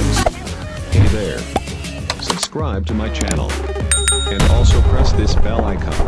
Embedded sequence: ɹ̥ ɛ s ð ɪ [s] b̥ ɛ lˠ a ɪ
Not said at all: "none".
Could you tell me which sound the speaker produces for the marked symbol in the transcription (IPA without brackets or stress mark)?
s